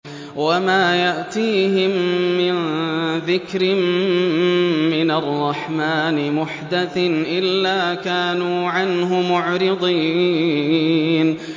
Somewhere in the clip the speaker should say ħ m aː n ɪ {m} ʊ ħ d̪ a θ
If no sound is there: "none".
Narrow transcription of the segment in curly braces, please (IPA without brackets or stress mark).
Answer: m